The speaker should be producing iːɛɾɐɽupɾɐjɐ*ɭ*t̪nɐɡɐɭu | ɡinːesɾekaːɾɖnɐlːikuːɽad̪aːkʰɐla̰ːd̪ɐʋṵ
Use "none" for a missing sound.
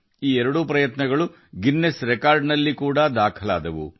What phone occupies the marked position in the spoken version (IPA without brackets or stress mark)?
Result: none